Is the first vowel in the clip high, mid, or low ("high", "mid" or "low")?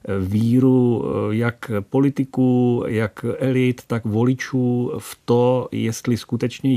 high